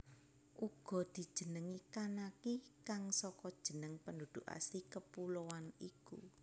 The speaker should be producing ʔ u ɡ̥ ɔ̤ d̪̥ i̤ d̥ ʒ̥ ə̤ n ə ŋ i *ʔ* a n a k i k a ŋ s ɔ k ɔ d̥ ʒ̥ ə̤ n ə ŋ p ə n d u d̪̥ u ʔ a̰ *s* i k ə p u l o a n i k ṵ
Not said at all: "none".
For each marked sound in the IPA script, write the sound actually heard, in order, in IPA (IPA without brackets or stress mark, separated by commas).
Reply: k, s